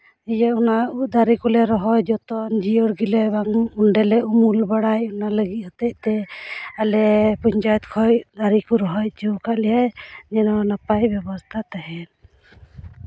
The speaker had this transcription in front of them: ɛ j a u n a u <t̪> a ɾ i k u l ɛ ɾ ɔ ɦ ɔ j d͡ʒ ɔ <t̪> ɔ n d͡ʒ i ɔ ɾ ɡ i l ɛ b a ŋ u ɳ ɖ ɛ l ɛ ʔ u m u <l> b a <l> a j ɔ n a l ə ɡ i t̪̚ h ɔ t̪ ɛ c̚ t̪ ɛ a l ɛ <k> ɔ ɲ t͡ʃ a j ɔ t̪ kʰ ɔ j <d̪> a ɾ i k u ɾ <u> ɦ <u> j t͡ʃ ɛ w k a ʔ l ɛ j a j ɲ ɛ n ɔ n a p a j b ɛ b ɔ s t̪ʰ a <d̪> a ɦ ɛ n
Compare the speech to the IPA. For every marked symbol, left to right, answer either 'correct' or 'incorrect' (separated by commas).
incorrect, correct, correct, incorrect, incorrect, correct, incorrect, incorrect, incorrect